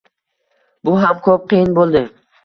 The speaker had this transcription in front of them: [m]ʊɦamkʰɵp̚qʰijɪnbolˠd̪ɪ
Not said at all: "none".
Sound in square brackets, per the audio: b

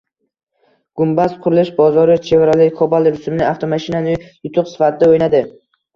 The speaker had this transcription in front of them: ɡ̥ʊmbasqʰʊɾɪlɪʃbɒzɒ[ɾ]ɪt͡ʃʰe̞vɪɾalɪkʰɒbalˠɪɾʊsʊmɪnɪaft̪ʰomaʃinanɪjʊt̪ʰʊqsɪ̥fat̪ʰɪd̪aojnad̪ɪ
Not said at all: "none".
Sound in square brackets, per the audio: ɾ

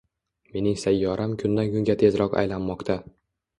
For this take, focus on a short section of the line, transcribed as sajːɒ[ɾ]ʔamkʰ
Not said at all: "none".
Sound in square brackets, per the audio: ɾ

